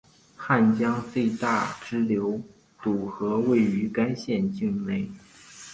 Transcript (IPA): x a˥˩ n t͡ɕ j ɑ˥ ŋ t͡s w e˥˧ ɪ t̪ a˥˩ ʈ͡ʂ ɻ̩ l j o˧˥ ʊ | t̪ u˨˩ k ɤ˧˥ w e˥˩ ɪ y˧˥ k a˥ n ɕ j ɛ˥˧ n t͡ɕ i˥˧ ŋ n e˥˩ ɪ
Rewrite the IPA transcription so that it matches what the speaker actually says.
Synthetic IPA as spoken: x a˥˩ n t͡ɕ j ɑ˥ ŋ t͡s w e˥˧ ɪ t̪ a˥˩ ʈ͡ʂ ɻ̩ l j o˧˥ ʊ | t̪ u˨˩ x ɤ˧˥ w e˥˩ ɪ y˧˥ k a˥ n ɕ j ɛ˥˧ n t͡ɕ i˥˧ ŋ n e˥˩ ɪ